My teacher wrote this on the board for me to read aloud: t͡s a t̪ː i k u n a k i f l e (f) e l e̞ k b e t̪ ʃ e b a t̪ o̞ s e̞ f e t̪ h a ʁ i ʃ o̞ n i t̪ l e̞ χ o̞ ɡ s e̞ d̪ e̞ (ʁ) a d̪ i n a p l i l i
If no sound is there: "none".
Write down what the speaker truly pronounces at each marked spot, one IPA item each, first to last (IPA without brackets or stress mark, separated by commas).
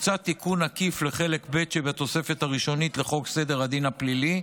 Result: χ, ʁ